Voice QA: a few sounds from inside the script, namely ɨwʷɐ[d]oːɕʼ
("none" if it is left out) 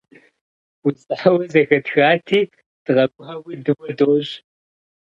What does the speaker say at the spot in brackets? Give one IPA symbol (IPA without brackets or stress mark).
d